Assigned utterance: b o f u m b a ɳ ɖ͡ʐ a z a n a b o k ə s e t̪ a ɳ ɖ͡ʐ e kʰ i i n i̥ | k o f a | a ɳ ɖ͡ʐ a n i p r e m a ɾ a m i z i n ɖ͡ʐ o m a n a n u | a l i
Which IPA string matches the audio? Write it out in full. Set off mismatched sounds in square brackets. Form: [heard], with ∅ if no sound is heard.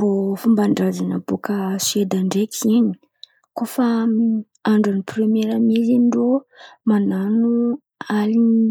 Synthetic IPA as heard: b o f u m b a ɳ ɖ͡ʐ a z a n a b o k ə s e [d̪] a ɳ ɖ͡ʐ e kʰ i i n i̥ | k o f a | a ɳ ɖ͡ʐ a n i p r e m [e] ɾ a m i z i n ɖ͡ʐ o m a n a n u | a l i